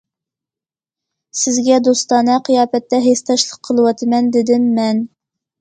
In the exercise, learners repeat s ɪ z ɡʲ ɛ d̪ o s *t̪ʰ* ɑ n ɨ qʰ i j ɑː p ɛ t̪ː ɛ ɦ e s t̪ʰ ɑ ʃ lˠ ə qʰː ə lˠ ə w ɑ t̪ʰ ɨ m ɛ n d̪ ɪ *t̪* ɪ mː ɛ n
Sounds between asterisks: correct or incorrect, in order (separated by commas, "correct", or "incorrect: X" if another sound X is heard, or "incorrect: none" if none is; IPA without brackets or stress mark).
incorrect: t̪, incorrect: d̪